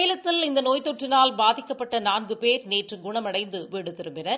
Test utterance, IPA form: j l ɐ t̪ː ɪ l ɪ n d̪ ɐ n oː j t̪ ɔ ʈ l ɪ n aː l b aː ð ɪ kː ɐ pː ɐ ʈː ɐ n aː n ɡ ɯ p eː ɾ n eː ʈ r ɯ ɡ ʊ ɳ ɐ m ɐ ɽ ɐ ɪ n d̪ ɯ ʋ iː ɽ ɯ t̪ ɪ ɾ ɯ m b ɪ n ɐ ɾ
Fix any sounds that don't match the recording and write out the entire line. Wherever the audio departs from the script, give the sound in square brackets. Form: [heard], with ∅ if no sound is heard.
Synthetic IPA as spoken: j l ɐ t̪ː ɪ l ɪ n d̪ ɐ n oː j t̪ ɔ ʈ [r] ɪ n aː l b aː ð ɪ kː ɐ pː ɐ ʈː ɐ n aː n ɡ ɯ p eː ɾ n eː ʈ r ɯ ɡ ʊ ɳ ɐ m ɐ ɽ ɐ ɪ n d̪ ɯ ʋ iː ɽ ɯ t̪ ɪ ɾ ɯ m b ɪ n ɐ ɾ